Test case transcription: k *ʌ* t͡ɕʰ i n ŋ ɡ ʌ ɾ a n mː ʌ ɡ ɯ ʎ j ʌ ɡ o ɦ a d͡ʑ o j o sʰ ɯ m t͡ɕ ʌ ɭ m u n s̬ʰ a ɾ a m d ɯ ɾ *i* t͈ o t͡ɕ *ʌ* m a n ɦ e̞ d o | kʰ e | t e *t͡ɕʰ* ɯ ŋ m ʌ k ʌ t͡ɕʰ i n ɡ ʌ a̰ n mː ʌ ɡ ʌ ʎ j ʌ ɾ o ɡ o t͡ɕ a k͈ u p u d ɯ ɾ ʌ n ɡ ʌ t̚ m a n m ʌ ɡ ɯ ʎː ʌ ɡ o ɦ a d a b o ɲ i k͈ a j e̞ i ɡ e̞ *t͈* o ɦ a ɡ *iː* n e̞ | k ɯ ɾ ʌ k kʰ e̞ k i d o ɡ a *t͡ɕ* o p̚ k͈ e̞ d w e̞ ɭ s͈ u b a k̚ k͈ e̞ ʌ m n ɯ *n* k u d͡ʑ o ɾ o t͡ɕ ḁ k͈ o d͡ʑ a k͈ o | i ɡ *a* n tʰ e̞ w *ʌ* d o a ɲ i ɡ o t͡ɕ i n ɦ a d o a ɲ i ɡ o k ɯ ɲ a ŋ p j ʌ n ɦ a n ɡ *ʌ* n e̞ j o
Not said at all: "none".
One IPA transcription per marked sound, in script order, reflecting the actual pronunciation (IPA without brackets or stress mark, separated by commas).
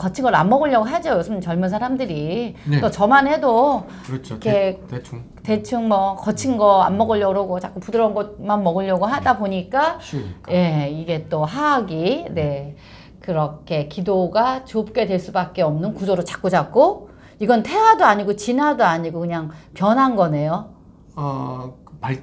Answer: ʌ, i, ʌ, t͡ɕʰ, t͈, i, t͡ɕ, n, ʌ, a, ʌ